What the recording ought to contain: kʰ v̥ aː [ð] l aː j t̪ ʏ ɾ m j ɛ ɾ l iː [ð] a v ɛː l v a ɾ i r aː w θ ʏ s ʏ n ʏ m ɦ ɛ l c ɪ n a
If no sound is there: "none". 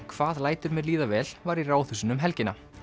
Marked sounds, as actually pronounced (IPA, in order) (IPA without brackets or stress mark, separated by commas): ð, ð